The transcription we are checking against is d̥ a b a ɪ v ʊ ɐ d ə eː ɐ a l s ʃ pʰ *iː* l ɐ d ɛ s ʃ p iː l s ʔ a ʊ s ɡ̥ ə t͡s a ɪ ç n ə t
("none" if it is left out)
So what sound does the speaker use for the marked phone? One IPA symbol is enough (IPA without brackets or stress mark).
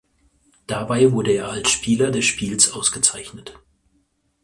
iː